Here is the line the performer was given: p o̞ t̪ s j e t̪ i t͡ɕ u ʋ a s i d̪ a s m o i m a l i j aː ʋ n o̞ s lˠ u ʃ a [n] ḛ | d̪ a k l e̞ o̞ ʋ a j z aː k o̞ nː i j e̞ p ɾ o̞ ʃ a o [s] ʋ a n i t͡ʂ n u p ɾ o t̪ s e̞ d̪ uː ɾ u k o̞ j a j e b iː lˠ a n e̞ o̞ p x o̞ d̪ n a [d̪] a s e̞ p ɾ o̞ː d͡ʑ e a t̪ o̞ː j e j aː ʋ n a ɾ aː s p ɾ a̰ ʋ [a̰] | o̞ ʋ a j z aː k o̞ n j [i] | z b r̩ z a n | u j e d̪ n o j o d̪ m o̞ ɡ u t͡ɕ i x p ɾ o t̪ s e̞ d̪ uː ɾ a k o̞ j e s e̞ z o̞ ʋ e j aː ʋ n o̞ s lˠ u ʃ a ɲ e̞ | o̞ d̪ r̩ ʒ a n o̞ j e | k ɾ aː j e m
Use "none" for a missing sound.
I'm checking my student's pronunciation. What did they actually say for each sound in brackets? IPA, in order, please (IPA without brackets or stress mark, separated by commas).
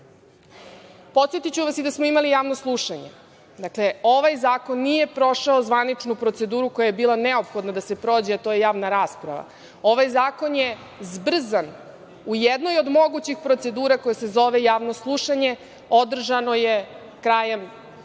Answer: ɲ, z, d̪, a̰, e